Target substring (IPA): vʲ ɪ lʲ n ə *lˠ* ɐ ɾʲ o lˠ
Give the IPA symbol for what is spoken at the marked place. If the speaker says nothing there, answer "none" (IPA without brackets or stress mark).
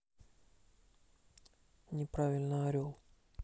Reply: none